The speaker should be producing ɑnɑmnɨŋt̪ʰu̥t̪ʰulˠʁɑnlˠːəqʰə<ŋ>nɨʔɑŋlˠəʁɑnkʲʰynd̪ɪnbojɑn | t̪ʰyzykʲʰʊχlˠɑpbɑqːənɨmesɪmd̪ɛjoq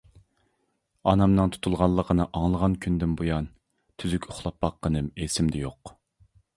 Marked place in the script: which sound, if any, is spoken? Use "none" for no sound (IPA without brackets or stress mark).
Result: none